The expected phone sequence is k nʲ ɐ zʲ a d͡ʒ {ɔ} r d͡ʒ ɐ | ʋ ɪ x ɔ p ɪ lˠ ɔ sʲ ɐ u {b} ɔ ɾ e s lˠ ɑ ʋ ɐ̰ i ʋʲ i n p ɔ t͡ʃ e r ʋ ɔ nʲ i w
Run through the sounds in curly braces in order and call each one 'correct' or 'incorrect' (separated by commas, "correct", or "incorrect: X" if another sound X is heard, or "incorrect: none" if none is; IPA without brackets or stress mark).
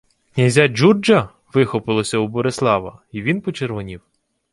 incorrect: u, correct